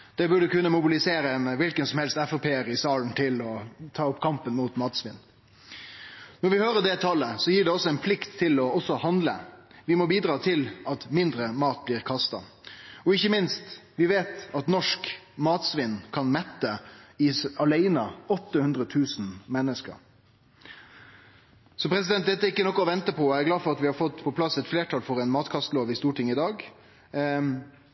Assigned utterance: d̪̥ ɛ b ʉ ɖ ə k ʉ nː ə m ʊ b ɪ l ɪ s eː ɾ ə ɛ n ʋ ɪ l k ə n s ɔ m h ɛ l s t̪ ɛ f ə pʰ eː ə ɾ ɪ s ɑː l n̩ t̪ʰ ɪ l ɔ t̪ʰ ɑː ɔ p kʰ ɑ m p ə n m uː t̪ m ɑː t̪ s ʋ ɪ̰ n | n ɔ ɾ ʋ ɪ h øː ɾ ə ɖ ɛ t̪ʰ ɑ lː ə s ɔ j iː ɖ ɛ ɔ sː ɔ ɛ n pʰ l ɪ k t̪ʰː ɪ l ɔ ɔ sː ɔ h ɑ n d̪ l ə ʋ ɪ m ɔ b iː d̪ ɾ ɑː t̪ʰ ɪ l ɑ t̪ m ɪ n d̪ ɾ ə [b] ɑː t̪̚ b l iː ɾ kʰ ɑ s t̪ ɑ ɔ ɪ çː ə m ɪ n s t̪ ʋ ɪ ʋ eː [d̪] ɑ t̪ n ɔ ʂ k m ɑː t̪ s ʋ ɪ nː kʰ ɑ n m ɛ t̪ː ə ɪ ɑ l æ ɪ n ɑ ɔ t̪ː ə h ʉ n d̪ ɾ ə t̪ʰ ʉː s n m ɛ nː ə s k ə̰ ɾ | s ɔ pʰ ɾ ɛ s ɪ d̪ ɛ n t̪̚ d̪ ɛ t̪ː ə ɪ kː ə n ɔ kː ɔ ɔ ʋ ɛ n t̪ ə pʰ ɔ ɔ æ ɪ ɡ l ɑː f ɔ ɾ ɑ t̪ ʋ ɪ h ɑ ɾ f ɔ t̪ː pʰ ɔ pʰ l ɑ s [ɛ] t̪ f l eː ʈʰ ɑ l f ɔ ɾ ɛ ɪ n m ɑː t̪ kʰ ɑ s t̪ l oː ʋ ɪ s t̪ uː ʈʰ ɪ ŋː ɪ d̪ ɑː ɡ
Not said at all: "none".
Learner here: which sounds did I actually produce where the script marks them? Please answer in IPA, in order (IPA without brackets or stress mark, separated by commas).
m, t̪, ɛ